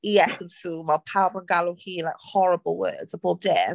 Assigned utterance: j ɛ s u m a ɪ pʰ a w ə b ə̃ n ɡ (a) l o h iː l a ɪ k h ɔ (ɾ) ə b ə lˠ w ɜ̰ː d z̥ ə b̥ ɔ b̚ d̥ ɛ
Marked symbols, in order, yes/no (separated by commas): yes, no